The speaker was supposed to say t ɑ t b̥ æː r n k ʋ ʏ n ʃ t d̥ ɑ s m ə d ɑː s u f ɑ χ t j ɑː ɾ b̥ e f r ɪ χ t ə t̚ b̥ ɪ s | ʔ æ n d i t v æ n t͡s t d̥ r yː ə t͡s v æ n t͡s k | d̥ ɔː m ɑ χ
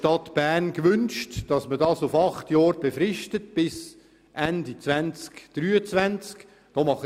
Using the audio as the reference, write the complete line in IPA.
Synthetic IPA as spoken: t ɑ t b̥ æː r n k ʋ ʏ n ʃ t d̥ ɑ s m ə d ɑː s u f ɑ χ t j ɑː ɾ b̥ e f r ɪ ʃ t ə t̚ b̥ ɪ s | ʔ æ n d i t͡s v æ n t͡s k d̥ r yː ə t͡s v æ n t͡s k | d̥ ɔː m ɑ χ